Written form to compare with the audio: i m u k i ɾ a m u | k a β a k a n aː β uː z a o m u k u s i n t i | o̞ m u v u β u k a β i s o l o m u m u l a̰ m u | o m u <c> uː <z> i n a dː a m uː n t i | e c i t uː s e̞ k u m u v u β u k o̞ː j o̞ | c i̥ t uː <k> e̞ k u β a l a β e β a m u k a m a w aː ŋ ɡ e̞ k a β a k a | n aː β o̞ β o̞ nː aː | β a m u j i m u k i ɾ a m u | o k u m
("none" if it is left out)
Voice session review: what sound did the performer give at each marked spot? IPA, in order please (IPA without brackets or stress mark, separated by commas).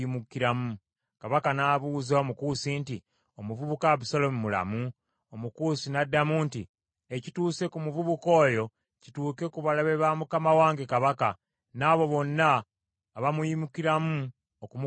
k, s, k